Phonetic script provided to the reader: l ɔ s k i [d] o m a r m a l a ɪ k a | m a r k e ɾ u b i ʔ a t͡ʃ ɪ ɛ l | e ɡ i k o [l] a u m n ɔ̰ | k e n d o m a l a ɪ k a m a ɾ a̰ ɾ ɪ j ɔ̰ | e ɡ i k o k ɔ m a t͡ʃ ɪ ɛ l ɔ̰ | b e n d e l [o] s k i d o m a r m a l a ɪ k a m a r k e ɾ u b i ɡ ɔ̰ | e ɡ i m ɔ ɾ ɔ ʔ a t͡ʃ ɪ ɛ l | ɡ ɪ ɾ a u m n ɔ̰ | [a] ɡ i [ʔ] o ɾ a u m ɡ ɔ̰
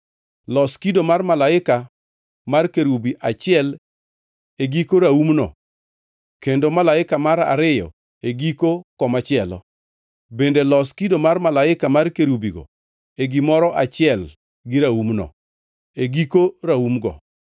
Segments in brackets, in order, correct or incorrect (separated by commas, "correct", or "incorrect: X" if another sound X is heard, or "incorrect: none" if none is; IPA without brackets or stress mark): correct, incorrect: ɾ, incorrect: ɔ, incorrect: e, incorrect: k